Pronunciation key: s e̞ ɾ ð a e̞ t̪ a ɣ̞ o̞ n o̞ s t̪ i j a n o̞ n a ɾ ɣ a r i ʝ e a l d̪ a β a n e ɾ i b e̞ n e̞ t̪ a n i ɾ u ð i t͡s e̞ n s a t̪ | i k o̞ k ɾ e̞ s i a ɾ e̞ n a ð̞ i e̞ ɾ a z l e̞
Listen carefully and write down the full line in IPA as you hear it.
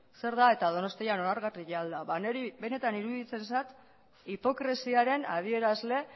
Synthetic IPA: s e̞ ɾ ð a e̞ t̪ a ð̞ o̞ n o̞ s t̪ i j a n o̞ n a ɾ ɣ a r i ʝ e a l d̪ a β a n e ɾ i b e̞ n e̞ t̪ a n i ɾ u ð i t͡s e̞ n s a t̪ | i p o̞ k ɾ e̞ s i a ɾ e̞ n a ð̞ i e̞ ɾ a z l e̞